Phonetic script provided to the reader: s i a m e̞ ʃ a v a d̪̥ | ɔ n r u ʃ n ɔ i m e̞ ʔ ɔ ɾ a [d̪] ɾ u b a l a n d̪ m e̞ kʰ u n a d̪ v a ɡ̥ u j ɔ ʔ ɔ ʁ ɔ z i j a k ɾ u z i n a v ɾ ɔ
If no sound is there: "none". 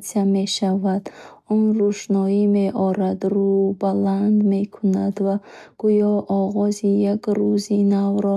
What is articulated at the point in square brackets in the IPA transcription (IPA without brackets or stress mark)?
d̪